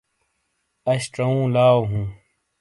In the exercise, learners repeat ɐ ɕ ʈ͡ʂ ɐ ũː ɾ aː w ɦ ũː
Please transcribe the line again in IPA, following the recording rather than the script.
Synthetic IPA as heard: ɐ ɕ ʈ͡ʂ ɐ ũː l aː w ɦ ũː

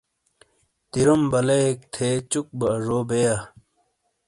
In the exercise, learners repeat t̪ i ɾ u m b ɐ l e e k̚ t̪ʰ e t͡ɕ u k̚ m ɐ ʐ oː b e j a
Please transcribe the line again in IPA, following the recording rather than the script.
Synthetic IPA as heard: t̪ i ɾ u m b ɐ l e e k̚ t̪ʰ e t͡ɕ u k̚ b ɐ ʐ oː b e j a

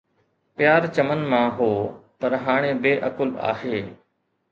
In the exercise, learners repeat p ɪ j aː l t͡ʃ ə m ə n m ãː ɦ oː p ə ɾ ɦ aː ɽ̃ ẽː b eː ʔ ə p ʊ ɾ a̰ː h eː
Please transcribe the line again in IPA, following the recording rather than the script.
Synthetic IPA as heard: p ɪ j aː ɾ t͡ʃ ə m ə n m ãː ɦ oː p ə ɾ ɦ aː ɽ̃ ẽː b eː ʔ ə k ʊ l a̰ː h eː

